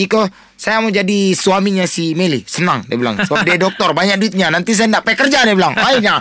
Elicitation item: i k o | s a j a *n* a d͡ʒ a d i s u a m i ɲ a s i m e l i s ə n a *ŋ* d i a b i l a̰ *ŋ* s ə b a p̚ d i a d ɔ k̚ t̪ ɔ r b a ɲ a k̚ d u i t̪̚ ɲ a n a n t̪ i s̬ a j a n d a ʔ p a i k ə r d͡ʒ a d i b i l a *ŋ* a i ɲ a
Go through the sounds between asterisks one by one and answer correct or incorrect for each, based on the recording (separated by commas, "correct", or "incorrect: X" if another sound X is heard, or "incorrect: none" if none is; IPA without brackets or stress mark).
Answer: incorrect: m, correct, correct, correct